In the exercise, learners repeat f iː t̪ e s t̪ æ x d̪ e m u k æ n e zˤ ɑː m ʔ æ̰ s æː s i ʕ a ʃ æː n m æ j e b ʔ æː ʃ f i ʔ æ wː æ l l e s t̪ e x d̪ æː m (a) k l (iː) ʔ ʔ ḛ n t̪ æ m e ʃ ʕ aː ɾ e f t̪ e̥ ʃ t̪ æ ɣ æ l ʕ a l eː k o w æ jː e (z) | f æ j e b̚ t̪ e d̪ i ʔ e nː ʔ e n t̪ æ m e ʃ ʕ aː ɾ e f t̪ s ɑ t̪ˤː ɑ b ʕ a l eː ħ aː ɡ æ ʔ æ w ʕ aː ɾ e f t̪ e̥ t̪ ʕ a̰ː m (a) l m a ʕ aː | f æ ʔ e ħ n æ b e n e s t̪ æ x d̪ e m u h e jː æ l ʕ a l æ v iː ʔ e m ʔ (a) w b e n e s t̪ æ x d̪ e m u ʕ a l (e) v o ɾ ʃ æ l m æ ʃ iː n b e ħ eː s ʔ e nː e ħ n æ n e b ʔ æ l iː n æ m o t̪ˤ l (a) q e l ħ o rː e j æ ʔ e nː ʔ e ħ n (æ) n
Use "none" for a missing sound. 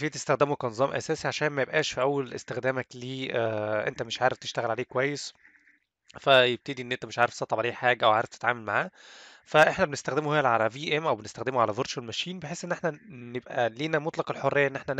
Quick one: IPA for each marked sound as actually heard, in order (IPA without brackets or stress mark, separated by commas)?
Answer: æ, iː, s, æ, æ, æ, ɑ, æ